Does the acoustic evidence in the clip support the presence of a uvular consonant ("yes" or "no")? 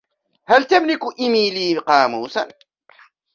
yes